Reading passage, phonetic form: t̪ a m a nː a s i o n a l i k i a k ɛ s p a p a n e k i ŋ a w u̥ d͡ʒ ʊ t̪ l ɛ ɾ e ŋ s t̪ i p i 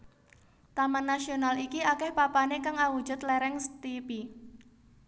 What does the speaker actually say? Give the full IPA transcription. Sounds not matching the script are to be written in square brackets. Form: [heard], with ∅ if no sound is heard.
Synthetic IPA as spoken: t̪ a m a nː a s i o n a l i k i a k ɛ [h] p a p a n e k [a] ŋ a w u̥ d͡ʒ ʊ t̪ l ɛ ɾ [ɛ] ŋ s t̪ i p i

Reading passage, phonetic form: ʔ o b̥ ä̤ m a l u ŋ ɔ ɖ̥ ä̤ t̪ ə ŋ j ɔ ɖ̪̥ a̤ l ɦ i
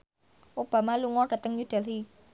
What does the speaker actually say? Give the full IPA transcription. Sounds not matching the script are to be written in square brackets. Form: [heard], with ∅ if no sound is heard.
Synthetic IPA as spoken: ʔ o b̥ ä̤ m a l u ŋ ɔ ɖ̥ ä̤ t̪ ə ŋ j [u] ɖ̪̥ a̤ l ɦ i

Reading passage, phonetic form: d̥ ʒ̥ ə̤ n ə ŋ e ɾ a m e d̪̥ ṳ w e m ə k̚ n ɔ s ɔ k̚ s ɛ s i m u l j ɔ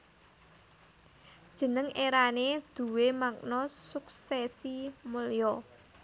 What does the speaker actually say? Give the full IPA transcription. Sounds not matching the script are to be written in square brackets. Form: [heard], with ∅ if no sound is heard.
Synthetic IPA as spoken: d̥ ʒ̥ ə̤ n ə ŋ e ɾ a [n] e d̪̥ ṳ w e m [a] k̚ n ɔ s [u] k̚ s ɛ s i m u l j ɔ

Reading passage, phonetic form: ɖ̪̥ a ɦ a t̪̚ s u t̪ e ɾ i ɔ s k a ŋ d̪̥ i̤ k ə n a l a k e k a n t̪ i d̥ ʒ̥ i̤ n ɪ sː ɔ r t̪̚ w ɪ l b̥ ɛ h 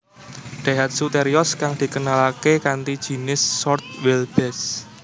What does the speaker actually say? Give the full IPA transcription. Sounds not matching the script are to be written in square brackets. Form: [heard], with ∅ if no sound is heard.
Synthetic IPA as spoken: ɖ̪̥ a ɦ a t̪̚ s u t̪ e ɾ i ɔ s k a ŋ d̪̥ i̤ k ə n a l a k e k a n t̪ i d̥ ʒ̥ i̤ n ɪ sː ɔ r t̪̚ w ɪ l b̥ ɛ [s]

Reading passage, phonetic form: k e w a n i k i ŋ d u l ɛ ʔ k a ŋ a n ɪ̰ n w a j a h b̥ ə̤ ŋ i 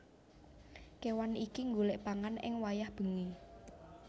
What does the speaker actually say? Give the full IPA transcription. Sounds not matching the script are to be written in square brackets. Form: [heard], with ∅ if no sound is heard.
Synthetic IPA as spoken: k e w a n i k i ŋ [ɡ] u l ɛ ʔ [p] a ŋ a n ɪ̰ [ŋ] w a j a h b̥ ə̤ ŋ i

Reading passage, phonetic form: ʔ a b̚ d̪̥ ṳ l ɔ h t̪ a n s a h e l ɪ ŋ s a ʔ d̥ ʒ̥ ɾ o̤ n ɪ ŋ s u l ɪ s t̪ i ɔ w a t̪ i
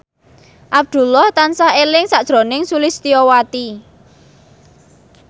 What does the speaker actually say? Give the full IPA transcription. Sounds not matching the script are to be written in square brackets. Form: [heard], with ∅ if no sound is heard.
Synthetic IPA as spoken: ʔ a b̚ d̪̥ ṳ l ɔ h t̪ a n s a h e l ɪ ŋ s a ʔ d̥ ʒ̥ ɾ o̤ n ɪ ŋ s u l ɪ s t̪ i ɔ w a t̪ i

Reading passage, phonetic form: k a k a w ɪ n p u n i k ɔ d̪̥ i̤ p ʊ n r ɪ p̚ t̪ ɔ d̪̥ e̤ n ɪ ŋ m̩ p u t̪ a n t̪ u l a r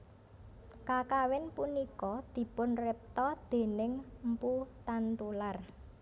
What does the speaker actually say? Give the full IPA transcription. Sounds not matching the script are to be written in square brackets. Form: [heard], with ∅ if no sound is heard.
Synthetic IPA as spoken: k a k a w ɪ n p u n i k ɔ d̪̥ i̤ p ʊ n r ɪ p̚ t̪ ɔ d̪̥ e̤ n ɪ ŋ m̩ p u t̪ a n t̪ u l a r

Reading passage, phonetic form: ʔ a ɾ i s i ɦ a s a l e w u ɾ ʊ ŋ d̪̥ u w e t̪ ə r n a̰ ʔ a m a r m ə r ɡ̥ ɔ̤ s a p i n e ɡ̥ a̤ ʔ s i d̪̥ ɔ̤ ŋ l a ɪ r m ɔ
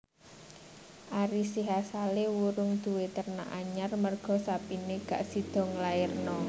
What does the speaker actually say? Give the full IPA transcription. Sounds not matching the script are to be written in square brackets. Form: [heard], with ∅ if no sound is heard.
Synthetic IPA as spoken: ʔ a ɾ i s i ɦ a s a l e w u ɾ ʊ ŋ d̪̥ u w e t̪ ə r n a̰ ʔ a [ɲ] a r m ə r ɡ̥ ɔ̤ s a p i n e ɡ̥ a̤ ʔ s i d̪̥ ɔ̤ ŋ l a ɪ r [n] ɔ

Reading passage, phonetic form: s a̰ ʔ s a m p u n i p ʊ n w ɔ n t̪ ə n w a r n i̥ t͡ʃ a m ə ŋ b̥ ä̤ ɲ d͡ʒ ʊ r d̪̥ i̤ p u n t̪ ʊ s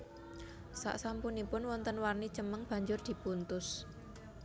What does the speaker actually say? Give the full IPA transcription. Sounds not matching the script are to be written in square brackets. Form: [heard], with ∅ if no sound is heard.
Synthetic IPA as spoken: s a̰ ʔ s a m p u n i p ʊ n w ɔ n t̪ ə n w a r n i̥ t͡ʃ [ə] m ə ŋ b̥ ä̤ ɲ d͡ʒ ʊ r d̪̥ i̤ p u n t̪ ʊ s

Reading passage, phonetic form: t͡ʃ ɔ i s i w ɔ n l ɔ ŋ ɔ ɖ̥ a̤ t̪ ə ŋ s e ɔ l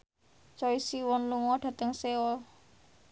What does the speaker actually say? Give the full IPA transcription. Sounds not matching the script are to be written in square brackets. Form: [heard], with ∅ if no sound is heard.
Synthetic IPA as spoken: t͡ʃ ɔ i s i w ɔ n l [u] ŋ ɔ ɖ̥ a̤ t̪ ə ŋ s e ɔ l

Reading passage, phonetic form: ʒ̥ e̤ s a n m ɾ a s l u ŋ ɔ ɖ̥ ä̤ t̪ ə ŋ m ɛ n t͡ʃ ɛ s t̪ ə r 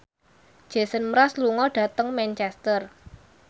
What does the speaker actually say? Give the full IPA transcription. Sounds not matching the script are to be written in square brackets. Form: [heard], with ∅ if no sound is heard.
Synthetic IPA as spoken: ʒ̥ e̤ s [ə] n m ɾ a s l u ŋ ɔ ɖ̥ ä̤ t̪ ə ŋ m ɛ n t͡ʃ ɛ s t̪ ə r

